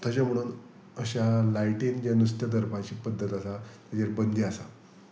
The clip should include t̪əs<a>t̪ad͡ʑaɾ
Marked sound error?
no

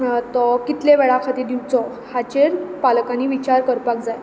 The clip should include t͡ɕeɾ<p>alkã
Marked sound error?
no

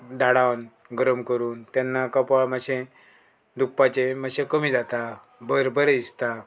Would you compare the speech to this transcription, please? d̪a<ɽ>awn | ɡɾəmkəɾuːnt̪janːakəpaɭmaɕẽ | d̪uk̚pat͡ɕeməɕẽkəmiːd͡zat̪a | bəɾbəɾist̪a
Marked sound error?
no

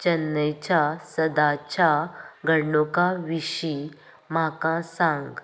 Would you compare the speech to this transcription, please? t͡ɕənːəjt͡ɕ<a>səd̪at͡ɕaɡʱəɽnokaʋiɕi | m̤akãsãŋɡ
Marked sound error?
no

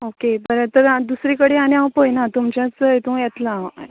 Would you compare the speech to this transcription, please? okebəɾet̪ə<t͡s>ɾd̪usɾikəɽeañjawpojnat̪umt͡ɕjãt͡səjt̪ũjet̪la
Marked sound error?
yes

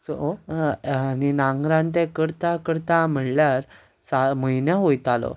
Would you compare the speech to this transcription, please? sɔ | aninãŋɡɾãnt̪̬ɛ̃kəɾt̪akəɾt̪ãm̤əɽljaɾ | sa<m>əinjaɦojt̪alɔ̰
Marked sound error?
no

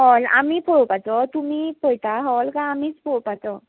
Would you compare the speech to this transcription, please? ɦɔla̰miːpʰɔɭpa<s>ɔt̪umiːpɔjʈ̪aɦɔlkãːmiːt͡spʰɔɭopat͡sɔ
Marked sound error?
yes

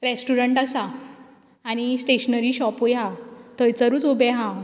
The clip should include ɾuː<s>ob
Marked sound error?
yes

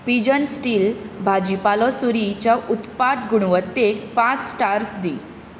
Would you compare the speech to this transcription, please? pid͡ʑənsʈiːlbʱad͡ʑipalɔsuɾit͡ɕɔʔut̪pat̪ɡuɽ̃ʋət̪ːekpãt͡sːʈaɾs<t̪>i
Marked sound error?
yes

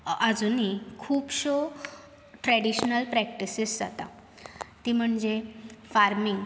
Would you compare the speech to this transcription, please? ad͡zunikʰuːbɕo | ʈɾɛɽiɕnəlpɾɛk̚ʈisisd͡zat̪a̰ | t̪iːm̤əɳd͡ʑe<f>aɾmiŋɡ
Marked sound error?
no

